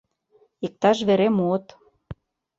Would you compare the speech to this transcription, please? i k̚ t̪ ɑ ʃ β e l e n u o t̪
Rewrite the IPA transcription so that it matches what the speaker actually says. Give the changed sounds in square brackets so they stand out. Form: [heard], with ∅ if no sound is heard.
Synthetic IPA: i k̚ t̪ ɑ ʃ β e [ɾ] e [m] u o t̪